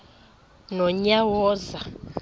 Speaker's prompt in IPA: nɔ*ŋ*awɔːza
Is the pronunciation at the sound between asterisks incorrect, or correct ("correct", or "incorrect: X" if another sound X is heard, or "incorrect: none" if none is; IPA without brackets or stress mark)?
incorrect: ɲ